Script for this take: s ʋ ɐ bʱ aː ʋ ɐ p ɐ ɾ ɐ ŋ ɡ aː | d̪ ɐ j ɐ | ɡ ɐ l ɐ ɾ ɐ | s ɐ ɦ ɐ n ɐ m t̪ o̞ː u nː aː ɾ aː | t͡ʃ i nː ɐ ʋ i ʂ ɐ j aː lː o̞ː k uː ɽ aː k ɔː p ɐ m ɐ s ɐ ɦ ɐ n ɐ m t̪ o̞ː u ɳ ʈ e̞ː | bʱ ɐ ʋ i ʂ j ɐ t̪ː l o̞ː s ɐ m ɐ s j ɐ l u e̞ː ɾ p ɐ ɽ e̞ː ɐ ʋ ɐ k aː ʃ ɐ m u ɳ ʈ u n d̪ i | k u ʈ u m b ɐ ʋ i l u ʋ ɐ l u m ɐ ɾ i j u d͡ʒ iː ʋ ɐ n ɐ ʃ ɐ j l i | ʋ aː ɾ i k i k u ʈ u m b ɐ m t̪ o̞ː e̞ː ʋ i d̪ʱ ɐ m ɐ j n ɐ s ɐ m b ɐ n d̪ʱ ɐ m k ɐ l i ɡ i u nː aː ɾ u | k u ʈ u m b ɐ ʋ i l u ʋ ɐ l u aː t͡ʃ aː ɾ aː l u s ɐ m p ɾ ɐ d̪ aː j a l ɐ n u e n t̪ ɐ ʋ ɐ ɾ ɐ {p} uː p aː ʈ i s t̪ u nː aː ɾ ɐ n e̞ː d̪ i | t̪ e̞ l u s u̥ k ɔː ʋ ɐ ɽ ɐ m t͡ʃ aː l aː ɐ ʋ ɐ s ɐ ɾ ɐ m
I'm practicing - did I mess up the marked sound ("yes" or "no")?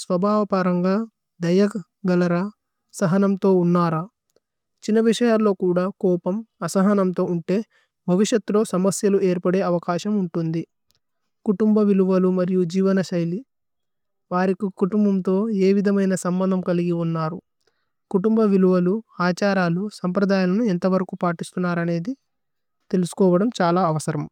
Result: yes